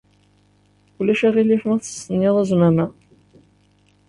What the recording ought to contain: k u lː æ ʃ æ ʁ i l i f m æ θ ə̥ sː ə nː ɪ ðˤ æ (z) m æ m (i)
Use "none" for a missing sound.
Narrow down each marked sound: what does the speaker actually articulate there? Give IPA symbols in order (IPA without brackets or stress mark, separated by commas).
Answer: z, æ